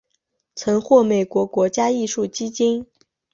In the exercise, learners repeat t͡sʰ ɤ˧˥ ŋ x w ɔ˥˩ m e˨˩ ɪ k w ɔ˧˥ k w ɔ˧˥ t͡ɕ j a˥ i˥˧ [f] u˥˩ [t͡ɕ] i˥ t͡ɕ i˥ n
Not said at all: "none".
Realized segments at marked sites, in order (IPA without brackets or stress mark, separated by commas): ʂ, t͡ɕ